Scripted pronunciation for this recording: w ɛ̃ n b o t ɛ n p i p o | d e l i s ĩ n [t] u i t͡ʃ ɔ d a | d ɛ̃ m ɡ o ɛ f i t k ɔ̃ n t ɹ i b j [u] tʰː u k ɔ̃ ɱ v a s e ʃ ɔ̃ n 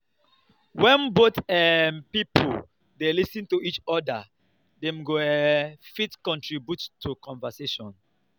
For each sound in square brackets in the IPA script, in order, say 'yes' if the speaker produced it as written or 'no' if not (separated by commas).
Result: yes, yes